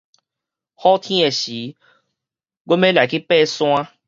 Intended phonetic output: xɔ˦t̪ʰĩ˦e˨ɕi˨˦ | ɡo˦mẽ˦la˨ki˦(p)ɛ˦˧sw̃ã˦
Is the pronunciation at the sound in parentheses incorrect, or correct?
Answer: correct